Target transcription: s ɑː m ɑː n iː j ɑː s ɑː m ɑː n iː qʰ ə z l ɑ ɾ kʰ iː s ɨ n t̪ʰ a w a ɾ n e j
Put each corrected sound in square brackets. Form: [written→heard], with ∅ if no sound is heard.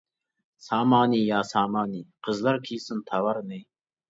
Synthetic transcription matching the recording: s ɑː m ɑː n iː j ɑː s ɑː m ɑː n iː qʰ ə z l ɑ ɾ kʰ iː s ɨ n t̪ʰ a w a ɾ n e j